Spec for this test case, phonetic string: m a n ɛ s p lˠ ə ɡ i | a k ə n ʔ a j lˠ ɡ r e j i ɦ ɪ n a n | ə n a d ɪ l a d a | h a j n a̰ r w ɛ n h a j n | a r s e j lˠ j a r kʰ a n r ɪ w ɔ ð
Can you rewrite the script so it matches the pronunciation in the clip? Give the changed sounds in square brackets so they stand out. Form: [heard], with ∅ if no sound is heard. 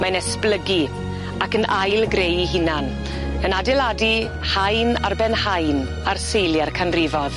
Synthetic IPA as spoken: m a n ɛ s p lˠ ə ɡ i | a k ə n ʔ a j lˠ ɡ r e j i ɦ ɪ n a n | ə n a d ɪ l a d [i] | h a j n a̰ r [b] ɛ n h a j n | a r s e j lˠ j a r kʰ a n r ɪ [v] ɔ ð